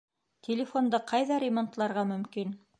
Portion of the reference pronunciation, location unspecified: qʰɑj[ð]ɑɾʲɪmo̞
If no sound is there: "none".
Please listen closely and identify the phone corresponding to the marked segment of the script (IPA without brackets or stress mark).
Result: ð